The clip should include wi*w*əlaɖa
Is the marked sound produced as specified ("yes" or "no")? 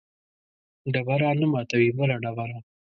no